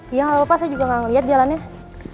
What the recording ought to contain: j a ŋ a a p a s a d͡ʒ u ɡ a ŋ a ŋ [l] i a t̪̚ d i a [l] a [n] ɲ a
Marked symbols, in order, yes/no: yes, yes, yes

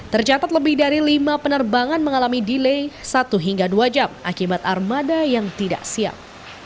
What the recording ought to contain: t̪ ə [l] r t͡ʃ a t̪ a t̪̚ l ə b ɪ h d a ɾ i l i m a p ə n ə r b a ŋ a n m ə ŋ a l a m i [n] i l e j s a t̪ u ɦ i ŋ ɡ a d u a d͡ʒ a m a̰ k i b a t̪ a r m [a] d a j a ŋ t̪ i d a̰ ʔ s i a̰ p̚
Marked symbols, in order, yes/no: no, no, yes

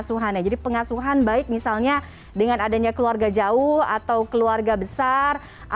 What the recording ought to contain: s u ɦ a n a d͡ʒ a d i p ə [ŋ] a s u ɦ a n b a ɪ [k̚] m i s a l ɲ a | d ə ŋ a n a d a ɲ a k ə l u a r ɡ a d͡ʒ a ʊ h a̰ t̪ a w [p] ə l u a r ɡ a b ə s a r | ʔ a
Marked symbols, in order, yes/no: yes, yes, no

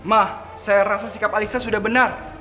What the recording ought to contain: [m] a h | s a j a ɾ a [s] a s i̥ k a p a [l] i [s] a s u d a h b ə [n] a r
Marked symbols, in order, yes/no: yes, yes, yes, yes, yes

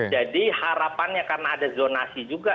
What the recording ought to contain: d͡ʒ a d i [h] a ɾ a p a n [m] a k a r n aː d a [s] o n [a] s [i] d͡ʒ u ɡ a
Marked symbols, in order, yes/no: yes, no, no, yes, yes

